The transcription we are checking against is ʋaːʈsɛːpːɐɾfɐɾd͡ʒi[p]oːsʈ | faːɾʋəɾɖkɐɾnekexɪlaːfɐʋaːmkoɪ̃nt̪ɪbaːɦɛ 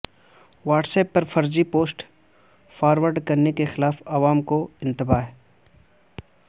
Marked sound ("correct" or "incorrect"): correct